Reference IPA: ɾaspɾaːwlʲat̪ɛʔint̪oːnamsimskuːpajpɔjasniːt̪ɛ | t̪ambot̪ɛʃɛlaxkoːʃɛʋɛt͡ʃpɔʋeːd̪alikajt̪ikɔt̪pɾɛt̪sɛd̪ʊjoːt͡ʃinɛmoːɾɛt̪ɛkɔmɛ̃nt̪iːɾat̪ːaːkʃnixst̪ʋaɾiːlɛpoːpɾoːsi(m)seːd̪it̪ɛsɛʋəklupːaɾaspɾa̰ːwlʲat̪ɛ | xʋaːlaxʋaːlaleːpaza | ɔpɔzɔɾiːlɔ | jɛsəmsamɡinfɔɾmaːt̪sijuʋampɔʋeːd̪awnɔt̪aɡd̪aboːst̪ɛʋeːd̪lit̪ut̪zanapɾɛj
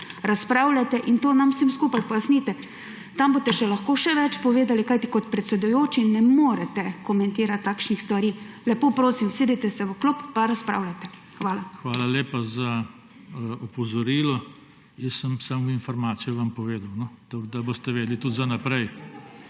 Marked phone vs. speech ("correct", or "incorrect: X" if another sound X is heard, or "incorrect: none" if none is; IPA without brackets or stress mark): correct